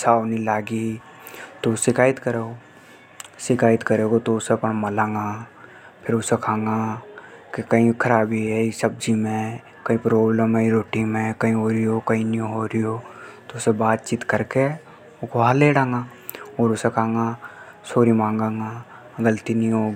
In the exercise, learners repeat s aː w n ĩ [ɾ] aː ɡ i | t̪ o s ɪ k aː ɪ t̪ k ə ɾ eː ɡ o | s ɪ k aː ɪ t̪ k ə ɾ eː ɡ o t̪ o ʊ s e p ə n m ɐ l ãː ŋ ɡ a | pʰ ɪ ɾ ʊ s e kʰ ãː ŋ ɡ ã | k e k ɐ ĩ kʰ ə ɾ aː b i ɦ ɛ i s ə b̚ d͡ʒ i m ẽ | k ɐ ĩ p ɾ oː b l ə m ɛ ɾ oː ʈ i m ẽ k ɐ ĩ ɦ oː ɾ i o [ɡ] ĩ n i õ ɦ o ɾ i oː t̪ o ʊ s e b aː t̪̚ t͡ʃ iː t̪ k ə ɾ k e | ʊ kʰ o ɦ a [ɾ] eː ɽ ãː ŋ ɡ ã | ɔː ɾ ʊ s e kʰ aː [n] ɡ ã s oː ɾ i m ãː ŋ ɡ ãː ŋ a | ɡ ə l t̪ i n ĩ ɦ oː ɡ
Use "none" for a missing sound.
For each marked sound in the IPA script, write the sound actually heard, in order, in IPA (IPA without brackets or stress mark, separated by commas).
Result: l, k, l, ŋ